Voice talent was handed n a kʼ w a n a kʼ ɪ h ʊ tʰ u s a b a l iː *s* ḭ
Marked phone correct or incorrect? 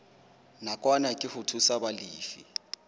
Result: incorrect: f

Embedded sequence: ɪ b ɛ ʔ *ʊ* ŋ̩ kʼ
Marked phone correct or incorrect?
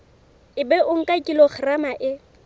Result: correct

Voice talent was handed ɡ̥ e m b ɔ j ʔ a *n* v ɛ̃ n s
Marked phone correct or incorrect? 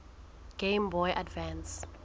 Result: incorrect: d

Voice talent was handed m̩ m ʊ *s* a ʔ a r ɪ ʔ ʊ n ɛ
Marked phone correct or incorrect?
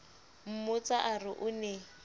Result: incorrect: t͡s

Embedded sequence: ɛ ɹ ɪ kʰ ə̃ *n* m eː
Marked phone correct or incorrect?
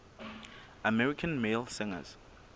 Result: correct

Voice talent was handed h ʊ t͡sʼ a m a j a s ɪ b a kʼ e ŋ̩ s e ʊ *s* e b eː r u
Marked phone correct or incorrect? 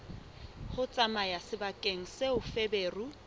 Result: incorrect: f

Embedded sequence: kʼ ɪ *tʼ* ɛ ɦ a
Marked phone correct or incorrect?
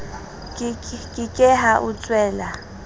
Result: incorrect: kʼ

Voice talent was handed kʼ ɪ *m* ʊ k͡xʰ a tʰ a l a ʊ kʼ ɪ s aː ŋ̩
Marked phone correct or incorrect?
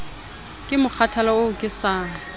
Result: correct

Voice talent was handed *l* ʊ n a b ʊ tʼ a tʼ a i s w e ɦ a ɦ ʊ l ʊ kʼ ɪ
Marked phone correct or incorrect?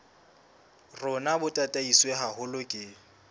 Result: incorrect: r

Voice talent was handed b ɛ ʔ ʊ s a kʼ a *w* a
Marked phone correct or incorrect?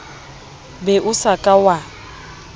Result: correct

